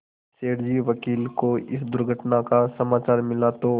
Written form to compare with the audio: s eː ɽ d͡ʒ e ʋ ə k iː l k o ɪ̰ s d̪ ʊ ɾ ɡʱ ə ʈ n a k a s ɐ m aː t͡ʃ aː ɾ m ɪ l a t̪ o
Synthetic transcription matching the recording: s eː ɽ d͡ʒ i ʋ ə k iː l k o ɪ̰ s d̪ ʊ ɾ ɡʱ ə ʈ n a k a s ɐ m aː t͡ʃ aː ɾ m ɪ l a t̪ o